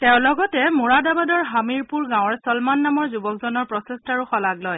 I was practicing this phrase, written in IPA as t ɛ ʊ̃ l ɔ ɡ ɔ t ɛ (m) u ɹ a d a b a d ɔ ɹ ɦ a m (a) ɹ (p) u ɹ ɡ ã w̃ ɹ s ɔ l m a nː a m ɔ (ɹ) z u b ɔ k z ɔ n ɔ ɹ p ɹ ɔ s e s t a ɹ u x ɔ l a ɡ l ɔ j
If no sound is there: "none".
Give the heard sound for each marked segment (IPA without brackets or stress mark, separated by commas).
m, i, p, ɹ